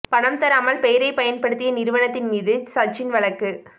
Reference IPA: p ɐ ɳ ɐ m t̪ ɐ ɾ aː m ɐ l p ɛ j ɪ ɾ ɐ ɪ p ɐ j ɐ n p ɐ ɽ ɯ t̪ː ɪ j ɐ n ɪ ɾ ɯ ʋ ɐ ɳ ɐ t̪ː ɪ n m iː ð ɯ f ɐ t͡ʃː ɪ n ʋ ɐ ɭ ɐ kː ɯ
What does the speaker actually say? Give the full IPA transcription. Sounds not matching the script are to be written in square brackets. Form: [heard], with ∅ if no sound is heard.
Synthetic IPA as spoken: p ɐ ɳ ɐ m t̪ ɐ ɾ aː m ɐ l p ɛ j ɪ ɾ ɐ ɪ p ɐ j ɐ n p ɐ ɽ ɯ t̪ː ɪ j ɐ n ɪ ɾ ɯ ʋ ɐ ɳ ɐ t̪ː ɪ n m iː ð ɯ [s] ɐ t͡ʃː ɪ n ʋ ɐ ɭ ɐ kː ɯ

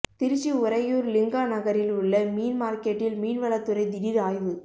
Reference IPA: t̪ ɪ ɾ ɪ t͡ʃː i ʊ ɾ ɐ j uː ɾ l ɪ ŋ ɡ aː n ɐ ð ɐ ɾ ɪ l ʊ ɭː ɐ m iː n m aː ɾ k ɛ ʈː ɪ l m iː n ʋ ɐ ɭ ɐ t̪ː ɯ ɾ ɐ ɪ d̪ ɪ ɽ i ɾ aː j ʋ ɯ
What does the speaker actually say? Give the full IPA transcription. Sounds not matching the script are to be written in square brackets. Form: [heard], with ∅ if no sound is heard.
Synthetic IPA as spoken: t̪ ɪ ɾ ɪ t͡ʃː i ʊ ɾ ɐ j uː ɾ l ɪ ŋ ɡ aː n ɐ [ɣ] ɐ ɾ ɪ l ʊ ɭː ɐ m iː n m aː ɾ k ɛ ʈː ɪ l m iː n ʋ ɐ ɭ ɐ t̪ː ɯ ɾ ɐ ɪ d̪ ɪ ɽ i ɾ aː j ʋ ɯ

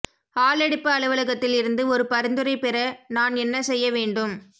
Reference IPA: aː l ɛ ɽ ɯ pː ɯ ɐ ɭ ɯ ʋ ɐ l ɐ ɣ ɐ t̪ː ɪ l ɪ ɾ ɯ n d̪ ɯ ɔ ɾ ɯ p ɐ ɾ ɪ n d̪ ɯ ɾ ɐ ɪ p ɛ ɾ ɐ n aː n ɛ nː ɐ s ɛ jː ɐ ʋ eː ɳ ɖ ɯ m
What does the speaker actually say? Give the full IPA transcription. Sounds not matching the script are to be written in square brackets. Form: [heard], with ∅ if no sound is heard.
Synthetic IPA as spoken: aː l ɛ ɽ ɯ pː ɯ ɐ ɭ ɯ ʋ ɐ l ɐ ɣ ɐ t̪ː ɪ l ɪ ɾ ɯ n d̪ ɯ ɔ ɾ ɯ p ɐ ɾ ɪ n d̪ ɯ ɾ ɐ ɪ p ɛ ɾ ɐ n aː n ɛ nː ɐ s ɛ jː ɐ ʋ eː ɳ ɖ ɯ m

